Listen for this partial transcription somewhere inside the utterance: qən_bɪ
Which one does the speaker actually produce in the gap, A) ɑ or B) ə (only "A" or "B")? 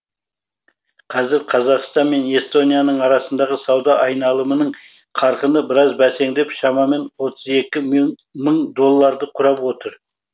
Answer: B